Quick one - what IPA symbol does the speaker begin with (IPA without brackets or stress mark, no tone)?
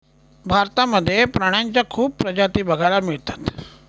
bʱ